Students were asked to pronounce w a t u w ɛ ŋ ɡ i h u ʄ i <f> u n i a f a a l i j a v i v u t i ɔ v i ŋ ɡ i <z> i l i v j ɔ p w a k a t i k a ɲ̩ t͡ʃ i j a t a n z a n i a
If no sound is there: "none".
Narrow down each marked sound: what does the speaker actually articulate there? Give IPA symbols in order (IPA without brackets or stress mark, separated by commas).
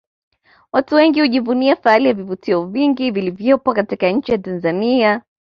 v, v